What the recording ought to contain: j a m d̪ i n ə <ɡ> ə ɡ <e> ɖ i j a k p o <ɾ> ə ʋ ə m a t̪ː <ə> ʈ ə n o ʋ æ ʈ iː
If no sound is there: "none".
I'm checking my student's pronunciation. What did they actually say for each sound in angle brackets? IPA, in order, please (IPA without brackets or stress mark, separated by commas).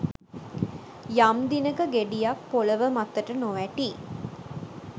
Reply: k, e, l, ə